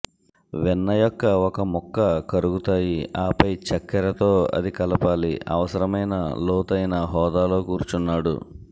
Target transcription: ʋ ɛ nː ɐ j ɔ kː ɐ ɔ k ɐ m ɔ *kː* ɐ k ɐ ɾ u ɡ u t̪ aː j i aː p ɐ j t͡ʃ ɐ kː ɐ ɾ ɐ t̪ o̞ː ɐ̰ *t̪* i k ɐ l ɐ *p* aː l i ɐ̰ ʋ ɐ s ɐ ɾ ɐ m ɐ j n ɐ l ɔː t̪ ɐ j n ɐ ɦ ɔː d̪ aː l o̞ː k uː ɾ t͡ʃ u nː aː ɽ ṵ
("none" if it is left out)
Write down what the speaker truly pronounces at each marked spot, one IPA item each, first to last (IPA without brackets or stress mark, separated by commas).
kː, d̪, p